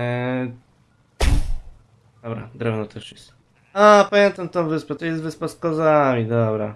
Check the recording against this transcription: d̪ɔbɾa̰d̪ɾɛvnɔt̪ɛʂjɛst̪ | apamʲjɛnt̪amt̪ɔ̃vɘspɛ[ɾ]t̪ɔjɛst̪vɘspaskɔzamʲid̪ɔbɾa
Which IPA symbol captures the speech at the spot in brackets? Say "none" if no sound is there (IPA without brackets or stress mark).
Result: none